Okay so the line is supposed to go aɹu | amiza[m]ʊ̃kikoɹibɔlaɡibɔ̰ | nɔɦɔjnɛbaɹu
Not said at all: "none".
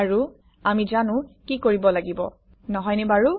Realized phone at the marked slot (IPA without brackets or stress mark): n